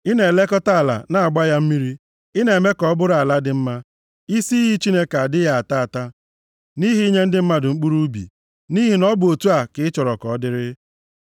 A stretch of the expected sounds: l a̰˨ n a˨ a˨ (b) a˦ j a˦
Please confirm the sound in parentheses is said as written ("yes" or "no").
no